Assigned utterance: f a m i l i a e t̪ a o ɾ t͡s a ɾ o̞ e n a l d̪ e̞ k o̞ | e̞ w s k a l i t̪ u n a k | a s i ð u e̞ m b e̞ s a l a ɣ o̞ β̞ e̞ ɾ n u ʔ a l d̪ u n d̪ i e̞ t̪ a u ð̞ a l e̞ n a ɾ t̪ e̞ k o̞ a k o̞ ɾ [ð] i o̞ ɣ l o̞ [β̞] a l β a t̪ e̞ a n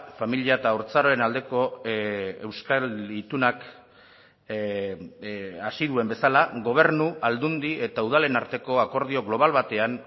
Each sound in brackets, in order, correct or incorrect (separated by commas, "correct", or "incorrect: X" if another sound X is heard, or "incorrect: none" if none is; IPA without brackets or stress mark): correct, correct